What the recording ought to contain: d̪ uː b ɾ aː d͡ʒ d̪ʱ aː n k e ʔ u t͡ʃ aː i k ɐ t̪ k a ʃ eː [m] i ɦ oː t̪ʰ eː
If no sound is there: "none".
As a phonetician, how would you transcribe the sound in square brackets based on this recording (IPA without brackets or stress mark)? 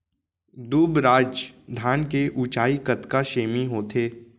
m